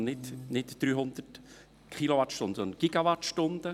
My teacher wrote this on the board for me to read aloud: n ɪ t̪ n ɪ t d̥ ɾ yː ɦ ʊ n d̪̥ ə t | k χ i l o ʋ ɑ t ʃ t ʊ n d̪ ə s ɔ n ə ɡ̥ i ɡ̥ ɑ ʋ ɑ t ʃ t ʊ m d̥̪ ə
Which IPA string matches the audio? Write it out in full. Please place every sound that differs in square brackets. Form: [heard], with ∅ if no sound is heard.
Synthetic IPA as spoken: n ɪ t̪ n ɪ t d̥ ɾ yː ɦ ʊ n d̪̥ ə t | k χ i l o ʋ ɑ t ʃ t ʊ n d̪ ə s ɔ n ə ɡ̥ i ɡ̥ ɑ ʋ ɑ t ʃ t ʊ [n] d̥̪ ə